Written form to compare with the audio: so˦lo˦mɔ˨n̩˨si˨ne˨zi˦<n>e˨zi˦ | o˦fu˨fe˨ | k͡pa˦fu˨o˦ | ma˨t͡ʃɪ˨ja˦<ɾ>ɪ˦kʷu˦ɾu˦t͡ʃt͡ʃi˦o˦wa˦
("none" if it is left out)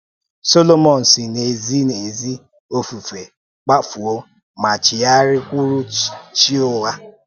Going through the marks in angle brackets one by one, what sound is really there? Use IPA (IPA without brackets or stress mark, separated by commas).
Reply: n, ɾ